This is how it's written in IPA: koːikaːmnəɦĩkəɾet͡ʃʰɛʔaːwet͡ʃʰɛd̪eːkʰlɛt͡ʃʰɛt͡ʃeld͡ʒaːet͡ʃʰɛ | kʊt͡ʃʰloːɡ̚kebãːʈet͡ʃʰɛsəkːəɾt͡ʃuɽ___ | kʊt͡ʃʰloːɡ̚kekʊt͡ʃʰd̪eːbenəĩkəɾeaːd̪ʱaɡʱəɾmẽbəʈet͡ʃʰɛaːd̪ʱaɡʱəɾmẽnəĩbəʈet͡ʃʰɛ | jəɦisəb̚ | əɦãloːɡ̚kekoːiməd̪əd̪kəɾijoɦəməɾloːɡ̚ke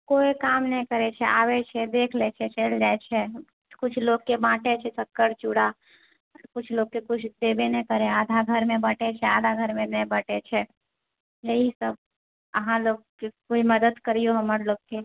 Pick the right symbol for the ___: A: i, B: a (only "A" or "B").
B